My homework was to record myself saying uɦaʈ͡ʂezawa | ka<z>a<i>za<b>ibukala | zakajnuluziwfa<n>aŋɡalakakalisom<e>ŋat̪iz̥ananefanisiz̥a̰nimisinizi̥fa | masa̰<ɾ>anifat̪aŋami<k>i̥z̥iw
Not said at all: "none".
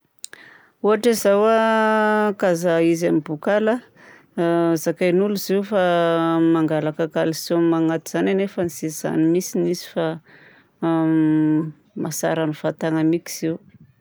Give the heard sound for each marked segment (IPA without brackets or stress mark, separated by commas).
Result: z, i, m, m, a, ɾ, k